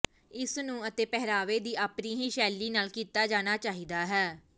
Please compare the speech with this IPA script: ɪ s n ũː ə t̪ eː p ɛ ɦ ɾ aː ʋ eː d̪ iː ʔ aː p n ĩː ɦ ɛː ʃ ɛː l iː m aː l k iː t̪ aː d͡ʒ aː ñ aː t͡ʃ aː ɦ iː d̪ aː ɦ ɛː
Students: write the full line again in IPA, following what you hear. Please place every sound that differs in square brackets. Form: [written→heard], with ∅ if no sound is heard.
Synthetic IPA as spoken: ɪ s n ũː ə t̪ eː p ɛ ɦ ɾ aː ʋ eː d̪ iː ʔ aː p n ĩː ɦ [ɛː→iː] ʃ ɛː l iː [m→n] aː l k iː t̪ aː d͡ʒ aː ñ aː t͡ʃ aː ɦ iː d̪ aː ɦ ɛː